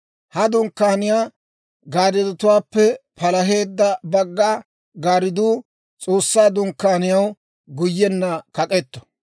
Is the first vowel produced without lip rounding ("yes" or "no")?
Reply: yes